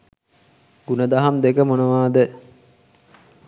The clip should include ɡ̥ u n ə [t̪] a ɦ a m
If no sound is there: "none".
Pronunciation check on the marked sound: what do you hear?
d̪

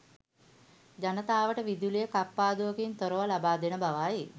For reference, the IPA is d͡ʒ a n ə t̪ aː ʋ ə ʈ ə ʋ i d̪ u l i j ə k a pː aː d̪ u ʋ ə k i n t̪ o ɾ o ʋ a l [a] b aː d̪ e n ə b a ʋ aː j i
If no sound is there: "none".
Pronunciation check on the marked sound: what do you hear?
a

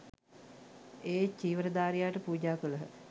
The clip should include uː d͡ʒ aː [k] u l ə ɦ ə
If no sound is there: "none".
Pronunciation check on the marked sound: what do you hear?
k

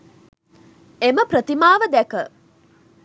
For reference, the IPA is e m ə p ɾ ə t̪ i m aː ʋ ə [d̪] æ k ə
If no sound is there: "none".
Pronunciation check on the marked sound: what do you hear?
d̪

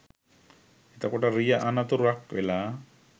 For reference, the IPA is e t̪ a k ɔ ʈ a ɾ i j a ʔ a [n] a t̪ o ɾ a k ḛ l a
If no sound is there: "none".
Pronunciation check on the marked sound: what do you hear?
n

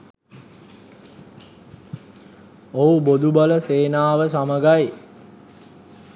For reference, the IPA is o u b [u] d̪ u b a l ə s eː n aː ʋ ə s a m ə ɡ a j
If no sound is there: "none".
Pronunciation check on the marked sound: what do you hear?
o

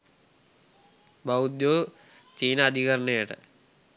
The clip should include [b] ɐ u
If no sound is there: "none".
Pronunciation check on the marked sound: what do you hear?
b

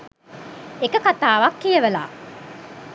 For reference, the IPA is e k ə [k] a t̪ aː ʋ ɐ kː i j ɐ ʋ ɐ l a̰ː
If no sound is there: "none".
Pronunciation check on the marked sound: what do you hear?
k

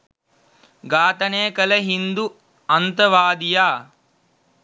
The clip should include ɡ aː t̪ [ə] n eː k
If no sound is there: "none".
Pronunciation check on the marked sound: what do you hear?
ɐ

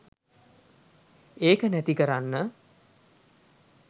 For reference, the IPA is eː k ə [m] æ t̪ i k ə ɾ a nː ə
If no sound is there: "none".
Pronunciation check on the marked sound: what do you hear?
n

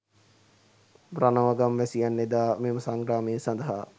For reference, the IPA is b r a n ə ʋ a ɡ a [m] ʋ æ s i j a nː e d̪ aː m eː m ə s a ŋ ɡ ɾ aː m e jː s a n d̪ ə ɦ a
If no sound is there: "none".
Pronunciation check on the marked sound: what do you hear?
m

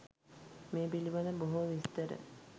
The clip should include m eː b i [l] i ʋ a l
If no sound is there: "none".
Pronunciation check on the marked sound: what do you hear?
l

